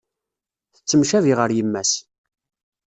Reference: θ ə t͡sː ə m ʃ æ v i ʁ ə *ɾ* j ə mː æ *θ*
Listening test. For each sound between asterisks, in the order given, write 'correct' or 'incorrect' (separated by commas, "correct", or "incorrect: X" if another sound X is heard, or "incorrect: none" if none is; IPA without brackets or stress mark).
correct, incorrect: s